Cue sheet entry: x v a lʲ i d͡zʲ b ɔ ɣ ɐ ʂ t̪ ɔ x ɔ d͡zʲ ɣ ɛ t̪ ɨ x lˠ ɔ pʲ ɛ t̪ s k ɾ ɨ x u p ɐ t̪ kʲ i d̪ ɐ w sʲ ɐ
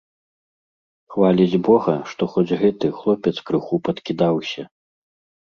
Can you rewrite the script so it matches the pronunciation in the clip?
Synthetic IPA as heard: x v a lʲ i d͡zʲ b ɔ ɣ ɐ ʂ t̪ ɔ x ɔ d͡zʲ ɣ ɛ t̪ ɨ x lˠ ɔ pʲ ɛ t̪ s k ɾ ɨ x u p ɐ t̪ kʲ i d̪ a w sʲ ɐ